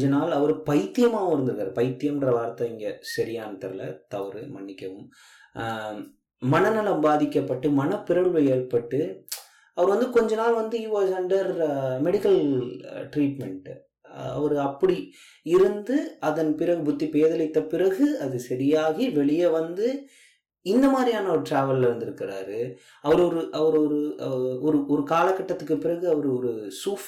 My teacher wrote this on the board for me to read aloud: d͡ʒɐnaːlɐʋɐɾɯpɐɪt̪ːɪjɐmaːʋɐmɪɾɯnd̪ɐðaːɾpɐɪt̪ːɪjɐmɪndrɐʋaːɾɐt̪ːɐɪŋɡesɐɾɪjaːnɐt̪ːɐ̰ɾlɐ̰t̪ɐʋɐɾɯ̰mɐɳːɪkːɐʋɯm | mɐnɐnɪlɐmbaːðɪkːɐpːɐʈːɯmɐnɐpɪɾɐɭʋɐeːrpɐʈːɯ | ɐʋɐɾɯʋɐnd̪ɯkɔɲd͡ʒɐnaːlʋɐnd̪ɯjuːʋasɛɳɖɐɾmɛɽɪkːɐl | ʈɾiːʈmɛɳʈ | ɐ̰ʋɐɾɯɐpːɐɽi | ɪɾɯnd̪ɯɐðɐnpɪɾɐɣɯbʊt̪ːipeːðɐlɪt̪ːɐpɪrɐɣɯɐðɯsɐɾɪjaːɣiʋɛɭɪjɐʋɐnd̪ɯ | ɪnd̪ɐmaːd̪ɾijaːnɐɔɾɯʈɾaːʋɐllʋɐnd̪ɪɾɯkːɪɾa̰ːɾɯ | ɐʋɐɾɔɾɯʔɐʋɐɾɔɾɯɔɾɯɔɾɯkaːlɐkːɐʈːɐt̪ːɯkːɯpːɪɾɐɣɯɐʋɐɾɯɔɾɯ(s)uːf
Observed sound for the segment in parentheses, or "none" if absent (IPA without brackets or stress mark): s